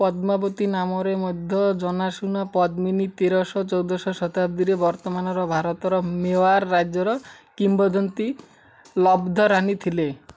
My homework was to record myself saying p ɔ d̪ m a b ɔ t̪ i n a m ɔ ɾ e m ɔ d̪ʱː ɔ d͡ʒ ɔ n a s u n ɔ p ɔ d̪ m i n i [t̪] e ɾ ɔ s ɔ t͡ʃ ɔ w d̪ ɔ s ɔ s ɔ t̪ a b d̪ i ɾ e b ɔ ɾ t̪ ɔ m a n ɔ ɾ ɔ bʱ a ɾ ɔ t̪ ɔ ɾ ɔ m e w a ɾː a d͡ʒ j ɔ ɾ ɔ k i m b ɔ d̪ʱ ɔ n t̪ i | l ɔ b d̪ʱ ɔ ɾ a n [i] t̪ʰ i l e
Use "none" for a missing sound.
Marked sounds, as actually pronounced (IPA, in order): t̪, i

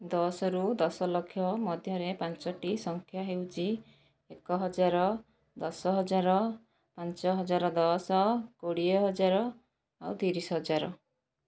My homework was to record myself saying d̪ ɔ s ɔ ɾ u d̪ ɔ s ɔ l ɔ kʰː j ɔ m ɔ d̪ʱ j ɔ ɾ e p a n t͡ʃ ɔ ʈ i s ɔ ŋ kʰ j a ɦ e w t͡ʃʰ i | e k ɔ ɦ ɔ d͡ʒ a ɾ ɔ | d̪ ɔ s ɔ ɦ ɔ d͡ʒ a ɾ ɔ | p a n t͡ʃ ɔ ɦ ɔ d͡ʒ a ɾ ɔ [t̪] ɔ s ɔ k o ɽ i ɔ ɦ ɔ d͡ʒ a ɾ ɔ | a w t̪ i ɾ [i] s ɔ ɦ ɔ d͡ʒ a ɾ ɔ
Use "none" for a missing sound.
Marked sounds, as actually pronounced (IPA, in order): d̪, i

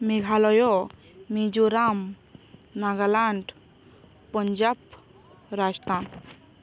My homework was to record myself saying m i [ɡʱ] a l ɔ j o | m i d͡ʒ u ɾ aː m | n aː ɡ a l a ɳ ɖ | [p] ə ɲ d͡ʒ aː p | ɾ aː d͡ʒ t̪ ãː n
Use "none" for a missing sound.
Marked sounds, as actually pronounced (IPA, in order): ɡʱ, p

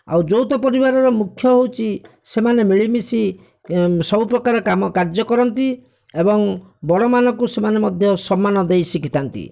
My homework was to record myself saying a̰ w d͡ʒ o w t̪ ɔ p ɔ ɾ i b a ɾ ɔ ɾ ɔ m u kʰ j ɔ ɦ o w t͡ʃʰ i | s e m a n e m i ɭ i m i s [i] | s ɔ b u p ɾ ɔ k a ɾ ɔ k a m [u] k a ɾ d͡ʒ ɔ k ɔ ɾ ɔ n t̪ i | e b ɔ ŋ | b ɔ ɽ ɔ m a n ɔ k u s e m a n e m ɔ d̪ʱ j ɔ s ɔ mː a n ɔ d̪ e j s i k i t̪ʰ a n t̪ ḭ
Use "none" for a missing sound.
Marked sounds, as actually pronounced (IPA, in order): i, ɔ

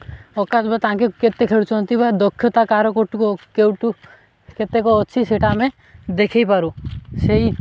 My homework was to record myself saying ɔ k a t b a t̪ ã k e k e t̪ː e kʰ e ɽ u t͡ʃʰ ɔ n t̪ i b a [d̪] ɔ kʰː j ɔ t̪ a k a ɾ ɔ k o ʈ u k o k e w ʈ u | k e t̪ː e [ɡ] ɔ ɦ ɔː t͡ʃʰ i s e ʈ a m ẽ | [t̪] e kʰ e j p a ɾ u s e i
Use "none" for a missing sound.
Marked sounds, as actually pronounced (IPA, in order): d̪, k, d̪

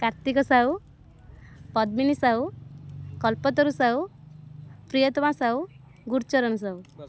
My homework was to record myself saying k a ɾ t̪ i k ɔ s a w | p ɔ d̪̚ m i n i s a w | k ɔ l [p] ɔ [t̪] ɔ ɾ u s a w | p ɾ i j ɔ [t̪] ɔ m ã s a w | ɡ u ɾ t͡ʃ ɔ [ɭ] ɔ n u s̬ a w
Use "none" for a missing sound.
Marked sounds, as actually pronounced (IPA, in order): p, t̪, t̪, ɾ

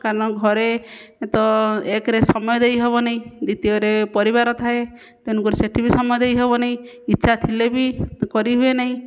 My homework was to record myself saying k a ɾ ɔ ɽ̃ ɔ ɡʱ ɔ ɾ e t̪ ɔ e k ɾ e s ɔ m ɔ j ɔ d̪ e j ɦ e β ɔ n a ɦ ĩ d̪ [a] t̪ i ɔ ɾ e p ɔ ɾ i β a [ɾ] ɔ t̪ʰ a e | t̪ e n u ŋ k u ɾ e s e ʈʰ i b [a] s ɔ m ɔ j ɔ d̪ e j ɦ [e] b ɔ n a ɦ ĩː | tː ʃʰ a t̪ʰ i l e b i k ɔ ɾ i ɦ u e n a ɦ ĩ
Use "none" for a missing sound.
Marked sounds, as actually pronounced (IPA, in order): i, ɾ, i, e

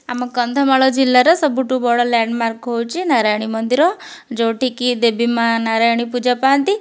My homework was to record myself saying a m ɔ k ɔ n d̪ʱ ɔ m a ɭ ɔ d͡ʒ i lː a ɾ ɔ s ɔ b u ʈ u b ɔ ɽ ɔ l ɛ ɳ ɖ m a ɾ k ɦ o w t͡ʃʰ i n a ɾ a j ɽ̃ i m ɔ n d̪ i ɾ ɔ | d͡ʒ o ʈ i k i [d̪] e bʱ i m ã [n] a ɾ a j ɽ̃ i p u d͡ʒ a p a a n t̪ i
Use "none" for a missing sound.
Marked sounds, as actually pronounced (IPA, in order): d̪, n

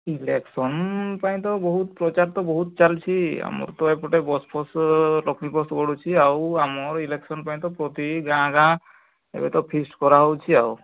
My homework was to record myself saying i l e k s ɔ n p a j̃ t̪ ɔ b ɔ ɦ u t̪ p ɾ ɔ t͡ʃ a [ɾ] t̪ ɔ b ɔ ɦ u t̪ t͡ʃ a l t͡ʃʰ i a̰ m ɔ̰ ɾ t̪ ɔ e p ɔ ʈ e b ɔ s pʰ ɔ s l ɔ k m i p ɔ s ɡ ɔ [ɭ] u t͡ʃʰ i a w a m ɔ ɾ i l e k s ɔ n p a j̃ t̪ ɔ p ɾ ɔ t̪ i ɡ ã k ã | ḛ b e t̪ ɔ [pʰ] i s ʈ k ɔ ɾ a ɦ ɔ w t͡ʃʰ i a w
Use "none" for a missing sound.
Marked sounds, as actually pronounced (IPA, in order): ɾ, ɽ, pʰ

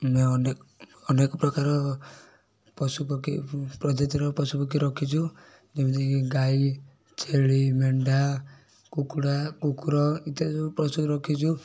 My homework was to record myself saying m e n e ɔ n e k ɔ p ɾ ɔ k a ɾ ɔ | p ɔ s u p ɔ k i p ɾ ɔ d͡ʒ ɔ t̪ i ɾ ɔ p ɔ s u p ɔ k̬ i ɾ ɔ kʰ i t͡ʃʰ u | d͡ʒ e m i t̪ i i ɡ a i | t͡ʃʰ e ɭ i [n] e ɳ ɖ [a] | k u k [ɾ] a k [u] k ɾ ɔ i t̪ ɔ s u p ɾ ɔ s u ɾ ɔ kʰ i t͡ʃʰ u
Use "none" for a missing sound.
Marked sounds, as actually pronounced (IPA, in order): m, a, ɽ, u

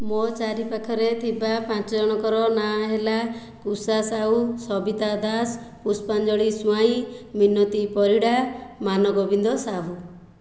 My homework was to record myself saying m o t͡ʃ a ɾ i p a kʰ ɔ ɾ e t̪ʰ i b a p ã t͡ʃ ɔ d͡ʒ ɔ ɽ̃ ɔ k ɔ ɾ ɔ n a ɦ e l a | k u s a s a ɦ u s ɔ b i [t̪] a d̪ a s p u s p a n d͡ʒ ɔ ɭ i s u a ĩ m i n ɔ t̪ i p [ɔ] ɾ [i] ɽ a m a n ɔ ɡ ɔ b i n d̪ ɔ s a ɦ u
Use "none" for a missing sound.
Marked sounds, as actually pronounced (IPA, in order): t̪, ɔ, i

